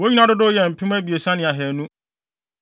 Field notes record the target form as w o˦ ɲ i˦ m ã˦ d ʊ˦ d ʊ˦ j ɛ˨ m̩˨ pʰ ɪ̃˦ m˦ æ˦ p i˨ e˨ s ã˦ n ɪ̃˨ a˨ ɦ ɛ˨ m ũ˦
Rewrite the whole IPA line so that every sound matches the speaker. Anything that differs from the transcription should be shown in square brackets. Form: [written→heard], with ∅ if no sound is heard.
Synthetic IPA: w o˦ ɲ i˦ [m→n] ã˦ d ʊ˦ d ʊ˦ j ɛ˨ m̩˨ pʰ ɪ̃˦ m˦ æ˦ [p→b] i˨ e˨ s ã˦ n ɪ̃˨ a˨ ɦ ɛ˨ [m→n] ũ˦